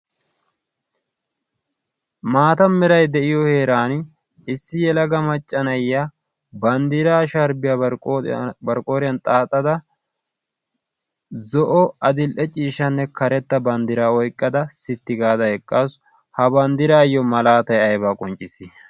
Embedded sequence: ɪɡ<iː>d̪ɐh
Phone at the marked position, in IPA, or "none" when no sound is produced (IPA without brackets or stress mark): aː